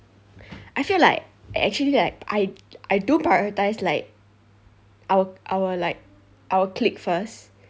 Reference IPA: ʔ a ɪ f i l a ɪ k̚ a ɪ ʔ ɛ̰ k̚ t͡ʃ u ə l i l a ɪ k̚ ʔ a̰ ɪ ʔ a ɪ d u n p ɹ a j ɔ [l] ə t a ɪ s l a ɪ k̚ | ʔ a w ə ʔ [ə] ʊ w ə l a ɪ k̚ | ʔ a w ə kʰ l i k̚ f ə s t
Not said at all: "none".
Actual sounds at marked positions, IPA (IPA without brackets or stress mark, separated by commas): ɹ, a